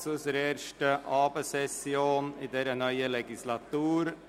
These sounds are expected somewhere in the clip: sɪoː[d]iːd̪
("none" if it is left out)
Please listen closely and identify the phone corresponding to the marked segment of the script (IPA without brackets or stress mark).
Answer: n